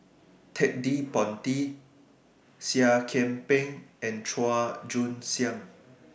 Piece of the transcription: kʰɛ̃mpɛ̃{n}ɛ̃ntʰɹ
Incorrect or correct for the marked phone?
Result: incorrect: ŋ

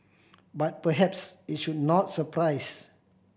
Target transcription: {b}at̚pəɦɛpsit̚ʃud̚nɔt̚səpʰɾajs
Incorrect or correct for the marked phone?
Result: correct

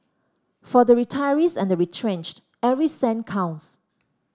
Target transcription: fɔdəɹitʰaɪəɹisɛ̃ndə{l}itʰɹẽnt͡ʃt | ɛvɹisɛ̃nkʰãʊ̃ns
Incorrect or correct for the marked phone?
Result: incorrect: ɹ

